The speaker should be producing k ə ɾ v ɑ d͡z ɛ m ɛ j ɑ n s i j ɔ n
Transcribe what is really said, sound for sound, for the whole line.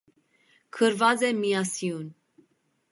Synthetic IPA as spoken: kʰ ə ɾ v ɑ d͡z ɛ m i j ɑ s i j u n